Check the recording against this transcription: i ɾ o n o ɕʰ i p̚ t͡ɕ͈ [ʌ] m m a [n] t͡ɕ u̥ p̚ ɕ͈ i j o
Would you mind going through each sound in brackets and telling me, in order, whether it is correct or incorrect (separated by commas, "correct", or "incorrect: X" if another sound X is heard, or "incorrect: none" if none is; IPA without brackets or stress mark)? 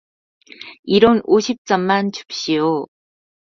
correct, correct